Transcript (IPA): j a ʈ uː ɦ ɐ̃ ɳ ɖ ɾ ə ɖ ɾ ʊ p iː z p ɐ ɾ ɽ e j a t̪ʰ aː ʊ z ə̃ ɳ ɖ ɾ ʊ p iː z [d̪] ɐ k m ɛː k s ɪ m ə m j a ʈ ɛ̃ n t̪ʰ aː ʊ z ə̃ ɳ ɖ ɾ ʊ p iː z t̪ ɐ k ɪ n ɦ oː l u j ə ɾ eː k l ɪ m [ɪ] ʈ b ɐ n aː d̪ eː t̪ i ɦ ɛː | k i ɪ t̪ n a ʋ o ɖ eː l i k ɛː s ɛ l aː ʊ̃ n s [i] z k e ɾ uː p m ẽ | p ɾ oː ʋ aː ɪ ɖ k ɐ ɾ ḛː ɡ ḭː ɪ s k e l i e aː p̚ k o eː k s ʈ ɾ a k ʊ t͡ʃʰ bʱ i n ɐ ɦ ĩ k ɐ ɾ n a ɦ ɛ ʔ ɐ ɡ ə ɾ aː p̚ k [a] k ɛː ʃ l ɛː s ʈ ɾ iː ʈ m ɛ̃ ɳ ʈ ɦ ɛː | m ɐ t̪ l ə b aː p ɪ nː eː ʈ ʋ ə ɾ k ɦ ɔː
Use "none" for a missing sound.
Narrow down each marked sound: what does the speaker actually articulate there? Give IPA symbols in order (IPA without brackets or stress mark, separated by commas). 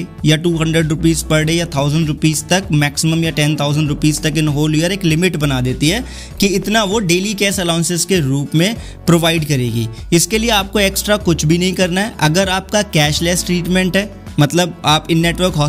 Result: t̪, ɪ, ɪ, a